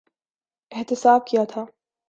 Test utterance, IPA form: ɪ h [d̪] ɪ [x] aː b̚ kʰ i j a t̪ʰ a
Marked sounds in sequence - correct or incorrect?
incorrect, incorrect

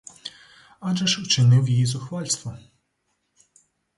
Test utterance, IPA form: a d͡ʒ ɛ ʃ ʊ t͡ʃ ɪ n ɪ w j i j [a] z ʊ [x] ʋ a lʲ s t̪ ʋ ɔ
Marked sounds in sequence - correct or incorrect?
incorrect, correct

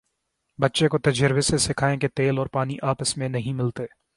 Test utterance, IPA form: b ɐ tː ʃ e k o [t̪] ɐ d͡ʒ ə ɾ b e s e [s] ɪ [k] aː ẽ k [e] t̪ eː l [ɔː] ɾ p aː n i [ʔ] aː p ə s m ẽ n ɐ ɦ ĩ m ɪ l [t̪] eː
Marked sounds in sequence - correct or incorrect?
correct, correct, incorrect, correct, correct, correct, correct

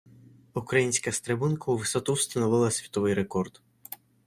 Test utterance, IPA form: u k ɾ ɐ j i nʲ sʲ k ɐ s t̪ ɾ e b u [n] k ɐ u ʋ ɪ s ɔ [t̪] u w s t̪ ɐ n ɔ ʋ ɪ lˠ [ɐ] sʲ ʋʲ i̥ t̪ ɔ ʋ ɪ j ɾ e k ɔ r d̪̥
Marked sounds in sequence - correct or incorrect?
correct, correct, correct

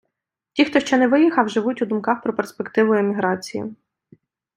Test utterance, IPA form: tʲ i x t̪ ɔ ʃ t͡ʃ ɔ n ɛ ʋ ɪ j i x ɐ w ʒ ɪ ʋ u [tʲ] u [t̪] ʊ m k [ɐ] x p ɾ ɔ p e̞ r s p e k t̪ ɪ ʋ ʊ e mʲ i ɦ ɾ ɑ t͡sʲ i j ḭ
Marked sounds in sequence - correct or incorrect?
correct, incorrect, incorrect

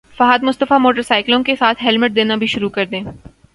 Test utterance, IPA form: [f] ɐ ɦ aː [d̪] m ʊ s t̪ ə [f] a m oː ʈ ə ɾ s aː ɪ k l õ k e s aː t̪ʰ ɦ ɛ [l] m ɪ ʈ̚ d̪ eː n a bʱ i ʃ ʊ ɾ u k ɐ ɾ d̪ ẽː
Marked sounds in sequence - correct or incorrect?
correct, correct, correct, correct

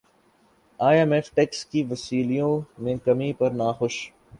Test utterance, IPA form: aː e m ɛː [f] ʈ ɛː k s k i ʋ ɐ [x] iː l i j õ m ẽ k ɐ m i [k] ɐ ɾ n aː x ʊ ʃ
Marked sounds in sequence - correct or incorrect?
correct, incorrect, incorrect

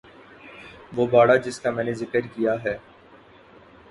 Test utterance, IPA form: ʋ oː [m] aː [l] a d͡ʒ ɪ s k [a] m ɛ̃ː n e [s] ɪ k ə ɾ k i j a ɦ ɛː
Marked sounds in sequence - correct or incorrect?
incorrect, incorrect, correct, incorrect

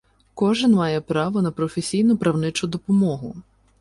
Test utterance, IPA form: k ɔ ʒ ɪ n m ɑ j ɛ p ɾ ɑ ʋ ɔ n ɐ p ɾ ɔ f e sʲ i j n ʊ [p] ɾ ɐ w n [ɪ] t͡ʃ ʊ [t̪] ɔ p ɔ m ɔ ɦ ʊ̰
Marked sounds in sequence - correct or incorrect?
correct, correct, incorrect

